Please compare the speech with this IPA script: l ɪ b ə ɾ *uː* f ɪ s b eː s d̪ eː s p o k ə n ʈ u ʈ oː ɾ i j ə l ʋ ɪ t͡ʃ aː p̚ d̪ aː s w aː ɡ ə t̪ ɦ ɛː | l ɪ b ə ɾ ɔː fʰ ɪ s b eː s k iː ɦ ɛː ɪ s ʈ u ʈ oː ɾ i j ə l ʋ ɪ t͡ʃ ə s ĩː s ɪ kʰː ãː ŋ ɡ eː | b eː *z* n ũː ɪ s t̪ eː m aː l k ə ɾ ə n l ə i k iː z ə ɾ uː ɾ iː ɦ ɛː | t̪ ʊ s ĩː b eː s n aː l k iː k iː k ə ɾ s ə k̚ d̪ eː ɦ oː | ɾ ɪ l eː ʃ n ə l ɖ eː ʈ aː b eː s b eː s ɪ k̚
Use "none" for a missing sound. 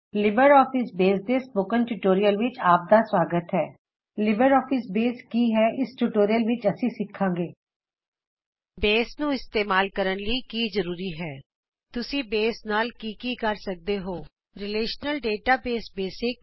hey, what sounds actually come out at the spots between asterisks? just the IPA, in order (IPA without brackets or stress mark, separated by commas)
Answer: ɔː, s